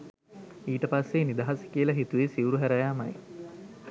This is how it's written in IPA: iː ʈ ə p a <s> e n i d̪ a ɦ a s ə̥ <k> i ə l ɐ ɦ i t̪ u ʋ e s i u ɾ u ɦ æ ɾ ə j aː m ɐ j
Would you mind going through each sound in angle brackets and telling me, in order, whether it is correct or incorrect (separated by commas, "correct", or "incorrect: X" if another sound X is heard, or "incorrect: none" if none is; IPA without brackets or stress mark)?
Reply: incorrect: sː, correct